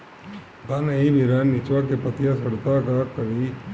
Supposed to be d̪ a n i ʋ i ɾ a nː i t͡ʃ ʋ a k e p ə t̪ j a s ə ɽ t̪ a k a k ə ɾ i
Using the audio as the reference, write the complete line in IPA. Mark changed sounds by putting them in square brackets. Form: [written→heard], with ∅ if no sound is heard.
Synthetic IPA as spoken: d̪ a n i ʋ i ɾ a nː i t͡ʃ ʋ a k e p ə t̪ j a s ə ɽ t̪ a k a k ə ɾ i